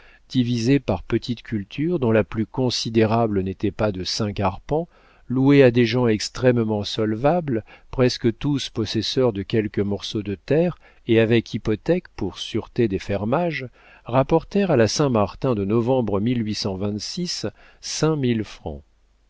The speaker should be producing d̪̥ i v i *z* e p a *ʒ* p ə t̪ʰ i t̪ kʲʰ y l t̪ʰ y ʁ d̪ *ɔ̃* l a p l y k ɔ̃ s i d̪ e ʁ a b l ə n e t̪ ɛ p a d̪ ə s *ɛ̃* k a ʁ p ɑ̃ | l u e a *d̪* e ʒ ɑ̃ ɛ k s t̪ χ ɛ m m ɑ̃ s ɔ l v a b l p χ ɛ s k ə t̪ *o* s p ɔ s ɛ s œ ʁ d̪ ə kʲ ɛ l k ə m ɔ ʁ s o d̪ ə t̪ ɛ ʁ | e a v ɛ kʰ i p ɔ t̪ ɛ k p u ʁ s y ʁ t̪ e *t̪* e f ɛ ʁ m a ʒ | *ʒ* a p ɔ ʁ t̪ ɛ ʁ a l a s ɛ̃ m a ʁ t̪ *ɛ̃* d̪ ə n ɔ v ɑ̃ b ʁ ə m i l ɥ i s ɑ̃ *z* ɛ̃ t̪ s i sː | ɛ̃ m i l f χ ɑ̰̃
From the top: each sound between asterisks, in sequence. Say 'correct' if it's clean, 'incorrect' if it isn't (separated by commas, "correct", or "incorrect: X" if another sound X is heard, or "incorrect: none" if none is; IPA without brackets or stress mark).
correct, incorrect: ʁ, correct, correct, correct, incorrect: u, incorrect: d̪, incorrect: ʁ, correct, incorrect: v